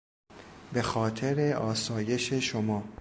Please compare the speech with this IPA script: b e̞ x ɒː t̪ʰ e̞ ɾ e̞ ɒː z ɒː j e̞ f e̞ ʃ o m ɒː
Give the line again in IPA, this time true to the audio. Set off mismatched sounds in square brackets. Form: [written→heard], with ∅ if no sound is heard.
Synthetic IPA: b e̞ x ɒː t̪ʰ e̞ ɾ e̞ ɒː [z→s] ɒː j e̞ [f→ʃ] e̞ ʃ o m ɒː